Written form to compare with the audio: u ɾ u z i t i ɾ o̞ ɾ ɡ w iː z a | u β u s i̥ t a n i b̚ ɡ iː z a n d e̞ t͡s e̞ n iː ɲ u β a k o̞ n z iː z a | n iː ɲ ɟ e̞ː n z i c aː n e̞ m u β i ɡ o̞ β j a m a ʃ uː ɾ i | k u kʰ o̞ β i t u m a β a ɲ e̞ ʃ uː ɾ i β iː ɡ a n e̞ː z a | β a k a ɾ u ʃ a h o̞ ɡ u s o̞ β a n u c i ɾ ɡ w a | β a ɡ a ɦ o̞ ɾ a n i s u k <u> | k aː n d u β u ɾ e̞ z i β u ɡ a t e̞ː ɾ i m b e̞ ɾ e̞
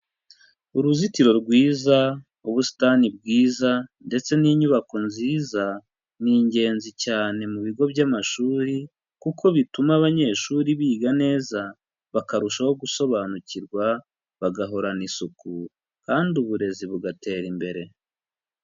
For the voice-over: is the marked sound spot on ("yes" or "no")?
yes